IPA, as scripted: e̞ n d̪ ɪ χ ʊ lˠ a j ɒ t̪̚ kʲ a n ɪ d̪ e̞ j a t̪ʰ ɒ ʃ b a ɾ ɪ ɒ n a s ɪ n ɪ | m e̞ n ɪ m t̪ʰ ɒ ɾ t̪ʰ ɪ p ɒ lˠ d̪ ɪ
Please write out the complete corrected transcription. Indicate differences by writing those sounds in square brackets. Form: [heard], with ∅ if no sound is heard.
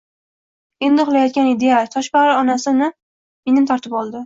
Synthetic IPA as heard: e̞ n d̪ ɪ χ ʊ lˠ a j ɒ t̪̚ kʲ a n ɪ d̪ e̞ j a t̪ʰ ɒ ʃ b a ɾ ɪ ɒ n a s ɪ n ɪ | m e̞ n ɪ m t̪ʰ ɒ ɾ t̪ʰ ɪ p ɒ lˠ d̪ ɪ